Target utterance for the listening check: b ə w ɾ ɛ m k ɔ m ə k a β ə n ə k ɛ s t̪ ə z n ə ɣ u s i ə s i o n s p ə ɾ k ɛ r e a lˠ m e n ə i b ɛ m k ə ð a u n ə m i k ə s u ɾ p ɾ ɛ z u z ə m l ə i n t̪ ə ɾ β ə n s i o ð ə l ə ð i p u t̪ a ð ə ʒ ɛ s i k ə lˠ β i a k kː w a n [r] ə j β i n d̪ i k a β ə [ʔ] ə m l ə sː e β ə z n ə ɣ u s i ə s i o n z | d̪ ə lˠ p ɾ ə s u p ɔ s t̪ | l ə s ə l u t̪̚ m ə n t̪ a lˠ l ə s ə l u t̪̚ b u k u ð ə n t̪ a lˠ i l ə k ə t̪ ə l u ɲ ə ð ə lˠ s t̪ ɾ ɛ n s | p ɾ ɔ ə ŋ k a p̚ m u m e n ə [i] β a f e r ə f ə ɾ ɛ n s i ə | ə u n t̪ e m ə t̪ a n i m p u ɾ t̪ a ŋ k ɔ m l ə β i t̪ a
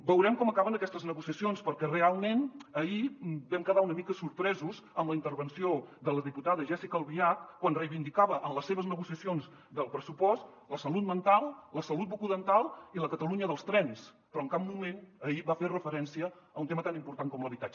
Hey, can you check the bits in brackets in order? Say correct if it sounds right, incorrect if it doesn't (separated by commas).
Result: correct, correct, correct